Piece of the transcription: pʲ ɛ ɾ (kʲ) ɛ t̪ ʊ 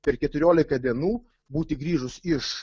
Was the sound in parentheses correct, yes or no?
yes